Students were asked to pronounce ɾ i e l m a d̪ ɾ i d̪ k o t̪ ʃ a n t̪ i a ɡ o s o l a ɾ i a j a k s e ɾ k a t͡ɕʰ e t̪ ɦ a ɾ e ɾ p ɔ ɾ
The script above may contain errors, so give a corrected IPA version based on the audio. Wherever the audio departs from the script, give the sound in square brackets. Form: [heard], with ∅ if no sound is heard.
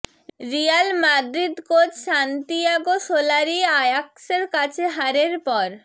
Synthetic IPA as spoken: ɾ i [a] l m a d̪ ɾ i d̪ k o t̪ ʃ a n t̪ i a ɡ o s o l a ɾ i a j a k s e ɾ k a t͡ɕʰ e [∅] ɦ a ɾ e ɾ p ɔ ɾ